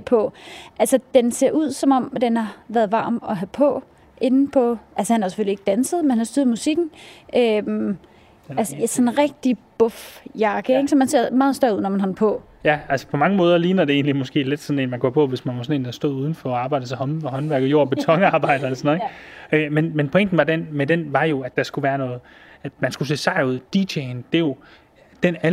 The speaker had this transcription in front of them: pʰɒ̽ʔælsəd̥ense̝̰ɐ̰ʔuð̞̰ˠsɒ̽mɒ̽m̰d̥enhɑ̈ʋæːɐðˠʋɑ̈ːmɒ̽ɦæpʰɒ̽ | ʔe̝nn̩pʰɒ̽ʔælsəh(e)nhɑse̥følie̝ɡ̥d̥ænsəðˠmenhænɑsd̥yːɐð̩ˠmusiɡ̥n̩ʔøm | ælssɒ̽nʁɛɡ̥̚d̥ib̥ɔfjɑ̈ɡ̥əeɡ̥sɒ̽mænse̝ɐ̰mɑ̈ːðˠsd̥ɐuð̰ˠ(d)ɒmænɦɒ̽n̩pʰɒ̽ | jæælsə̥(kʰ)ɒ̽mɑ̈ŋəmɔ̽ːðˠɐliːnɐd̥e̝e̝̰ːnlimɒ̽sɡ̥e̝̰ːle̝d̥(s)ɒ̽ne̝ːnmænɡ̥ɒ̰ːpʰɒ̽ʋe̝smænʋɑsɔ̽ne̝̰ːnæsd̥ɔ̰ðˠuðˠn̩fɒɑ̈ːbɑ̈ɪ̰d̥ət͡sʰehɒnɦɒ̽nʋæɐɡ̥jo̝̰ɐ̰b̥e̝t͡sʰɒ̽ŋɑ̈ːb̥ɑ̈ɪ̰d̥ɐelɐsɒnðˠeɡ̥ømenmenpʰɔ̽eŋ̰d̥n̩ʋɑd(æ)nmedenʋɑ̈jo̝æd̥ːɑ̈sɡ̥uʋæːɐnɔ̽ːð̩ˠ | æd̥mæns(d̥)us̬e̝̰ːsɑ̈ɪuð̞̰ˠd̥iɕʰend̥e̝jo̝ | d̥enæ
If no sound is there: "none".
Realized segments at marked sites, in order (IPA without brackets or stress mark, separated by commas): æ, n, pʰ, s, e, ɡ̥